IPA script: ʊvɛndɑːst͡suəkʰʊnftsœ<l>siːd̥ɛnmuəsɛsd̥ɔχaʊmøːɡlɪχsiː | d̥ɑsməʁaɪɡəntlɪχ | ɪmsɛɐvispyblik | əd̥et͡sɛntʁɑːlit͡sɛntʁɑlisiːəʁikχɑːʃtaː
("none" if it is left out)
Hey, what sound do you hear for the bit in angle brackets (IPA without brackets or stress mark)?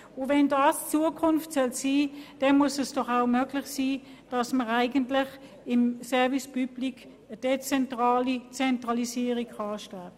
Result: l